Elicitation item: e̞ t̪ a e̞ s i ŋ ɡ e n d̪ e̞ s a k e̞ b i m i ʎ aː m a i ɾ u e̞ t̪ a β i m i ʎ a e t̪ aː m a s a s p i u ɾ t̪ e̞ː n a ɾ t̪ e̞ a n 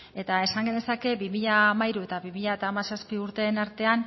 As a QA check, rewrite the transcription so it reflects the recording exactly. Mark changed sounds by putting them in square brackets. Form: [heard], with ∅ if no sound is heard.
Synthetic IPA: e̞ t̪ a e̞ s [a] ŋ ɡ e n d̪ e̞ s a k e̞ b i m i ʎ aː m a i ɾ u e̞ t̪ a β i m i ʎ a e t̪ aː m a s a s p i u ɾ t̪ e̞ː n a ɾ t̪ e̞ a n

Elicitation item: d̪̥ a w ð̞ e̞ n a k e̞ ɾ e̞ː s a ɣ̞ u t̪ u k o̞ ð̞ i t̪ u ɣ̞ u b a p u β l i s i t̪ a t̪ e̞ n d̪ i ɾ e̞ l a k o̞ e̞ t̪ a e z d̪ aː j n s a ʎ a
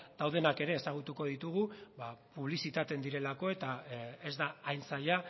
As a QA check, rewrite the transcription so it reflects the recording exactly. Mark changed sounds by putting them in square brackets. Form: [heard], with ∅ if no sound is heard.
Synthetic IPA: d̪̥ a w ð̞ e̞ n a k e̞ ɾ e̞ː s a ɣ̞ u t̪ u k o̞ ð̞ i t̪ u ɣ̞ u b a p u β l i s i t̪ a t̪ e̞ n d̪ i ɾ e̞ l a k o̞ e̞ t̪ a e z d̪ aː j n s a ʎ a

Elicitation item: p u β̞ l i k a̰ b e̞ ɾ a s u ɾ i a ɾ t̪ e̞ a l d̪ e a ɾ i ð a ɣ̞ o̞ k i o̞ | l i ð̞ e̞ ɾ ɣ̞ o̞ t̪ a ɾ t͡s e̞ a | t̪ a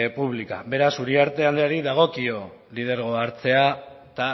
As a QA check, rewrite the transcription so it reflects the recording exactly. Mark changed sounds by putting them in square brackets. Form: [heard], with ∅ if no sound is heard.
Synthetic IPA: p u β̞ l i k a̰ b e̞ ɾ a s u ɾ i a ɾ t̪ e̞ a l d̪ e a ɾ i ð a ɣ̞ o̞ k i o̞ | l i ð̞ e̞ ɾ ɣ̞ o̞ [∅] a ɾ t͡s e̞ a | t̪ a

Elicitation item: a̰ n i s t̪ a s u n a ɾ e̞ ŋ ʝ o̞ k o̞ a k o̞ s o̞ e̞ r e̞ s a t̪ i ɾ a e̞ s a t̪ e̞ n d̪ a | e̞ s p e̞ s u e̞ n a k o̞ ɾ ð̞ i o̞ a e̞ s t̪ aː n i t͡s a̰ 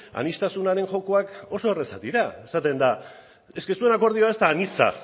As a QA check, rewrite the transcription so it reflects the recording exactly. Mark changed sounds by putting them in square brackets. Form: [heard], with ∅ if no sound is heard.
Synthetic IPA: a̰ n i s t̪ a s u n a ɾ e̞ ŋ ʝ o̞ k o̞ a k o̞ s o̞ e̞ r e̞ s a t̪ i ɾ a e̞ s a t̪ e̞ n d̪ a | e̞ s [k] e̞ s u e̞ n a k o̞ ɾ ð̞ i o̞ a e̞ s t̪ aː n i t͡s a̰

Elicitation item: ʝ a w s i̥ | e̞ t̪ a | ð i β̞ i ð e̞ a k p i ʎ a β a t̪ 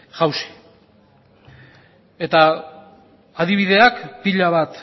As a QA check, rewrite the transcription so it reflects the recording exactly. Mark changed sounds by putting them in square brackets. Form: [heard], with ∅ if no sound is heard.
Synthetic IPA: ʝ a w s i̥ | e̞ t̪ a | ð i β̞ i ð e̞ a k p i ʎ a β a t̪

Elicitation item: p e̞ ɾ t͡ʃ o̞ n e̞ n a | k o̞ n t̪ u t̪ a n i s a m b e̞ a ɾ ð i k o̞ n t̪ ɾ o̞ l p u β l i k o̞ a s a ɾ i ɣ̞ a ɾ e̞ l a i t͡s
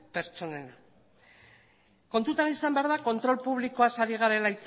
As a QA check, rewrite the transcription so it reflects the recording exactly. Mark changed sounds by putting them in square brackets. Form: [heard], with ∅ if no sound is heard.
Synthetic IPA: p e̞ ɾ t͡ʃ o̞ n e̞ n a | k o̞ n t̪ u t̪ a n i s a m b e̞ a ɾ ð [a] k o̞ n t̪ ɾ o̞ l p u β l i k o̞ a s a ɾ i ɣ̞ a ɾ e̞ l a i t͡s

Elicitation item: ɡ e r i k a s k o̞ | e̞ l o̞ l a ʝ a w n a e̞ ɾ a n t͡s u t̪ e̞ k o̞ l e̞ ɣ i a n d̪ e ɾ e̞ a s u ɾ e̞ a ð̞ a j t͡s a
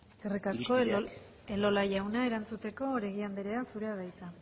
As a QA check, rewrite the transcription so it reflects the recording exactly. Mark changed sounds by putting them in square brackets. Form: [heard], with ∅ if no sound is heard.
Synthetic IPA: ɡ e r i k a s k o̞ | e̞ l o̞ l a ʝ a w n a e̞ ɾ a n t͡s u t̪ e̞ k o̞ [ɾ] e̞ ɣ i a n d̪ e ɾ e̞ a s u ɾ e̞ a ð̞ a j t͡s a

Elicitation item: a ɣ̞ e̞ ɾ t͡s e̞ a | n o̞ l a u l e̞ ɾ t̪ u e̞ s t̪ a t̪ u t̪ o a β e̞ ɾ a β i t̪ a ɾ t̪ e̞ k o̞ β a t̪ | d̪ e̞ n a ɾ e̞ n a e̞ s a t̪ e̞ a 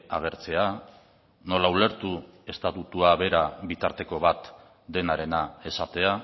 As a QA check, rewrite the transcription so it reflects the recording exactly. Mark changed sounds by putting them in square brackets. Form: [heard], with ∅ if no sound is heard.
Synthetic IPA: a ɣ̞ e̞ ɾ t͡s e̞ a | n o̞ l a u l e̞ ɾ t̪ u e̞ s t̪ a t̪ u t̪ [u] a β e̞ ɾ a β i t̪ a ɾ t̪ e̞ k o̞ β a t̪ | d̪ e̞ n a ɾ e̞ n a e̞ s a t̪ e̞ a

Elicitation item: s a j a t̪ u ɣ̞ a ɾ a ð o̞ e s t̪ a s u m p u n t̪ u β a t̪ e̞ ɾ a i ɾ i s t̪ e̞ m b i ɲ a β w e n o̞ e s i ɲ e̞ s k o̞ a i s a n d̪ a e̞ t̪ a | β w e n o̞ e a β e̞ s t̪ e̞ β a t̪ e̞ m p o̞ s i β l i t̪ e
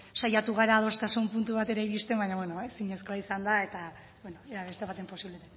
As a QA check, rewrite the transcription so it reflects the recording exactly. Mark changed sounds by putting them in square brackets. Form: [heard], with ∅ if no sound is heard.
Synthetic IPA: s a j a t̪ u ɣ̞ a ɾ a ð o̞ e s t̪ a s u m p u n t̪ u β a t̪ e̞ ɾ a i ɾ i s t̪ e̞ m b [a] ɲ a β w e n o̞ e s i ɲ e̞ s k o̞ a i s a n d̪ a e̞ t̪ a | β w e n o̞ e a β e̞ s t̪ e̞ β a t̪ e̞ m p o̞ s i β l [e] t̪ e

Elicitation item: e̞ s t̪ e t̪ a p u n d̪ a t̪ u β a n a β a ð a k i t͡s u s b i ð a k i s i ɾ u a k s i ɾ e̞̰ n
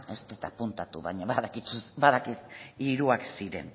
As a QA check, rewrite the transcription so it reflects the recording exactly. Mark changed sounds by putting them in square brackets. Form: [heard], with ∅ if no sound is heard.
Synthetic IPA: e̞ s t̪ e t̪ a p u n [t̪] a t̪ u β a [ɲ] a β a ð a k i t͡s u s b [a] ð a k i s i ɾ u a k s i ɾ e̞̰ n

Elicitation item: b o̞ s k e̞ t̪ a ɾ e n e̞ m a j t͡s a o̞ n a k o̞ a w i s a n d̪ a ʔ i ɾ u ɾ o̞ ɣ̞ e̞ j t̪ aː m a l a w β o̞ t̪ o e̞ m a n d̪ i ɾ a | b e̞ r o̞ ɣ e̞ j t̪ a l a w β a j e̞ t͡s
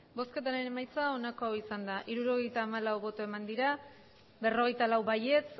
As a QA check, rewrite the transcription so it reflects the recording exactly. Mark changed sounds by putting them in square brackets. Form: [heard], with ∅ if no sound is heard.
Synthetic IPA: b o̞ s k e̞ t̪ a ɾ e n e̞ m a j t͡s a o̞ n a k o̞ a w i s a n d̪ a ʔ i ɾ u ɾ o̞ ɣ̞ e̞ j t̪ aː m a l a w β o̞ t̪ o e̞ m a n d̪ i ɾ a | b e̞ r o̞ ɣ e̞ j t̪ a l a w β a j e̞ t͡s

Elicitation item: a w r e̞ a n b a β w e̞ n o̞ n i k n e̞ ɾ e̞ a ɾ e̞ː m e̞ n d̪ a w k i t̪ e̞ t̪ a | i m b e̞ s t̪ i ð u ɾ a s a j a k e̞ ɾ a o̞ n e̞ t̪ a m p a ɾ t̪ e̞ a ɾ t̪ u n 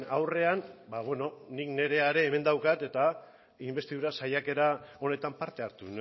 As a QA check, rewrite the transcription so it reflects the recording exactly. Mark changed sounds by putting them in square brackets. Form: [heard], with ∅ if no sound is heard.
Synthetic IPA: a w r e̞ a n b a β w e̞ n o̞ n i k n e̞ ɾ e̞ a ɾ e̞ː m e̞ n d̪ a w k [a] t̪ e̞ t̪ a | i m b e̞ s t̪ i ð u ɾ a s a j a k e̞ ɾ a o̞ n e̞ t̪ a m p a ɾ t̪ e̞ a ɾ t̪ u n

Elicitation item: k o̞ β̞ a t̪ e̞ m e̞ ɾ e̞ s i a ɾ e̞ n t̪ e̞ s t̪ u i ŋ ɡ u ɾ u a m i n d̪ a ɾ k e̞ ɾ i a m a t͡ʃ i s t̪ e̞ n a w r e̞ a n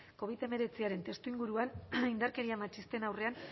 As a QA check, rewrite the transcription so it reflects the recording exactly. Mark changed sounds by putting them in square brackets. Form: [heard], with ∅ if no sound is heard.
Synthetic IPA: k o̞ β̞ [i] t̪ e̞ m e̞ ɾ e̞ [t͡s] i a ɾ e̞ n t̪ e̞ s t̪ u i ŋ ɡ u ɾ u a [n] i n d̪ a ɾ k e̞ ɾ i a m a t͡ʃ i s t̪ e̞ n a w r e̞ a n

